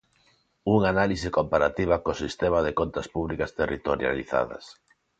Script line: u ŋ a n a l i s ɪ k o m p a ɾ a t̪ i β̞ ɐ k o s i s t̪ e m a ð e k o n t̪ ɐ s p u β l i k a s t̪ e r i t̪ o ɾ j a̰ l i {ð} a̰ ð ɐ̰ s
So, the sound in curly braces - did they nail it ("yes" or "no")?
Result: no